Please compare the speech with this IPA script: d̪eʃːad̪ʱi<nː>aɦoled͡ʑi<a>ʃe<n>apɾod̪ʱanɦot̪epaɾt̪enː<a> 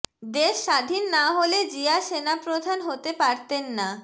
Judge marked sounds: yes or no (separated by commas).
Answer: yes, yes, yes, yes